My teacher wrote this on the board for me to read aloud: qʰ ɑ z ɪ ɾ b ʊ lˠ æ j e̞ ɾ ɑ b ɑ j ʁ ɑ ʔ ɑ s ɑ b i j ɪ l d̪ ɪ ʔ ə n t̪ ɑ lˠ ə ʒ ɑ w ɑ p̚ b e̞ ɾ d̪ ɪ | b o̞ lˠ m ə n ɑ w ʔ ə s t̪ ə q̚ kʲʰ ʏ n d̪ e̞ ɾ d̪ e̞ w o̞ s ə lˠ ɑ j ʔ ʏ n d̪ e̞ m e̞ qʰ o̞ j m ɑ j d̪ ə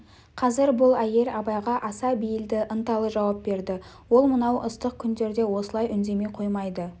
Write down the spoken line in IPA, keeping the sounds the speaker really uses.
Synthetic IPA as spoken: qʰ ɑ z ɪ ɾ b ʊ lˠ æ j e̞ ɾ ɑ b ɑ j ʁ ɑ ʔ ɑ s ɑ b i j ɪ l d̪ ɪ ʔ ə n t̪ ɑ lˠ ə ʒ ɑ w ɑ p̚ b e̞ ɾ d̪ ɪ | w o̞ lˠ m ə n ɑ w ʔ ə s t̪ ə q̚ kʲʰ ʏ n d̪ e̞ ɾ d̪ e̞ w o̞ s ə lˠ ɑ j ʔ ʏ n d̪ e̞ m e̞ qʰ o̞ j m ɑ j d̪ ə